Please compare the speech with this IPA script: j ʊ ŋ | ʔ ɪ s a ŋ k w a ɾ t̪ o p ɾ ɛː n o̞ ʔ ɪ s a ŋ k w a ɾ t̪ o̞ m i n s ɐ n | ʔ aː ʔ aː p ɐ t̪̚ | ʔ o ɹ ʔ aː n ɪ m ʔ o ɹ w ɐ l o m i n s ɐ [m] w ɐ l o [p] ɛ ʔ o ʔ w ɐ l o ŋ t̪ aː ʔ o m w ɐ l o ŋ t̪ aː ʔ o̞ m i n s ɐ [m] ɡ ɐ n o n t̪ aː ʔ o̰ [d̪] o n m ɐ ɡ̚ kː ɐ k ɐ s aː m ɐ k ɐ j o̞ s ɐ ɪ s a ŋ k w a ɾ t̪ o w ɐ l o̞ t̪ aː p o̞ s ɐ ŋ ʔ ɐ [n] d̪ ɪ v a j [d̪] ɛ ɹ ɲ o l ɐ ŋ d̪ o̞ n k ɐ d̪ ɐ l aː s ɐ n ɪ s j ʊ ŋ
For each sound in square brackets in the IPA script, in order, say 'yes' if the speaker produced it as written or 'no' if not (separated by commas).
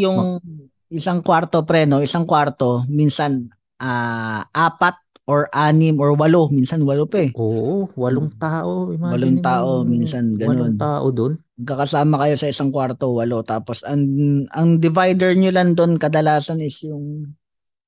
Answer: no, yes, no, yes, no, yes